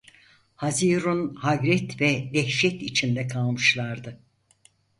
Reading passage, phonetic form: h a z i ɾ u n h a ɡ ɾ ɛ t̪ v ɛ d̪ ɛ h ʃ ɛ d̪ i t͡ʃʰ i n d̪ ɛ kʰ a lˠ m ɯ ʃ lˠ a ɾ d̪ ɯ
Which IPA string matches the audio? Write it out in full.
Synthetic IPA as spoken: h a z i ɾ u n h a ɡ ɾ ɛ t̪ v ɛ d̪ ɛ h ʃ ɛ t̪ i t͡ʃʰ i n d̪ ɛ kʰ a lˠ m ɯ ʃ lˠ a ɾ d̪ ɯ